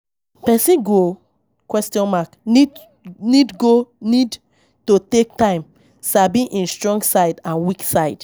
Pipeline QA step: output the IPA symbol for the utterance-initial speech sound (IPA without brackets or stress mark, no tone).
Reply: p